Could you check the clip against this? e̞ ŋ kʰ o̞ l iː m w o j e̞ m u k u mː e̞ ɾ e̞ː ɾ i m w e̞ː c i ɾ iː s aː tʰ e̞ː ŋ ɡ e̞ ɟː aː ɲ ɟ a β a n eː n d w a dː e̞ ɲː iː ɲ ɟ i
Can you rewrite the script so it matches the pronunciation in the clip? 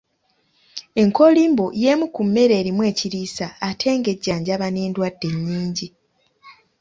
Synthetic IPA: e̞ ŋ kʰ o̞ l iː m b o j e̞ m u k u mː e̞ ɾ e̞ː ɾ i m w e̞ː c i ɾ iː s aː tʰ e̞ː ŋ ɡ e̞ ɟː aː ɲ ɟ a β a n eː n d w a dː e̞ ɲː iː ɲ ɟ i